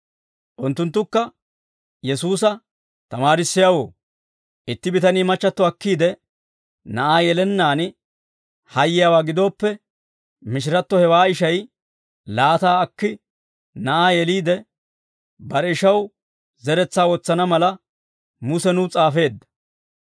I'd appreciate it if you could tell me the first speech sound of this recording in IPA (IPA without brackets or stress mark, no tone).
ʔ